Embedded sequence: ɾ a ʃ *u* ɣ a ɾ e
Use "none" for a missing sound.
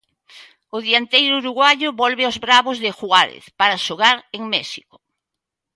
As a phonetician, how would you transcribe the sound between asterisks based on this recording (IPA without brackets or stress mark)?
o